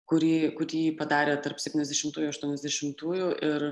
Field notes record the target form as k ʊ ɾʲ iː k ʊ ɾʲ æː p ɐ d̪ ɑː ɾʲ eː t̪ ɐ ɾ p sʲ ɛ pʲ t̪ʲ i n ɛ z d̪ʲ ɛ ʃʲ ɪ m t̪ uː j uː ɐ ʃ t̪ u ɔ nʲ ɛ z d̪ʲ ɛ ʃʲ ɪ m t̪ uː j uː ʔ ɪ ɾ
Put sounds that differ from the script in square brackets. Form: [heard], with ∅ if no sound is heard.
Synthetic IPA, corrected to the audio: k ʊ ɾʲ iː k ʊ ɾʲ [iː] p ɐ d̪ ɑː ɾʲ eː t̪ ɐ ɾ p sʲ ɛ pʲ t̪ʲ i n ɛ z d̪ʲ ɛ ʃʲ ɪ m t̪ uː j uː ɐ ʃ t̪ u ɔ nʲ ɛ z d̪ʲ ɛ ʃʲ ɪ m t̪ uː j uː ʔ ɪ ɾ